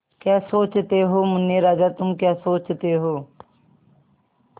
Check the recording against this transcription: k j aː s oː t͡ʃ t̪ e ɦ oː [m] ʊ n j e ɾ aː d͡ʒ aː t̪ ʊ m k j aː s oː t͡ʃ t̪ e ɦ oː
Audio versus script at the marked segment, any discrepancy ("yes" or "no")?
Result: no